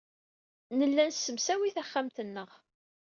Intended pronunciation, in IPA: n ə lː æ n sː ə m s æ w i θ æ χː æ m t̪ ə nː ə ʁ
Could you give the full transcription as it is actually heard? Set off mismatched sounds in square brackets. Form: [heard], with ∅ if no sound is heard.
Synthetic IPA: n ə lː æ n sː ə m s æ w i θ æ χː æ m t̪ ə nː ə ʁ